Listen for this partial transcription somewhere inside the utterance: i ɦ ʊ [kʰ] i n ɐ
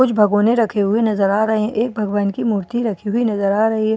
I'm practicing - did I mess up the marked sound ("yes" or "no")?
yes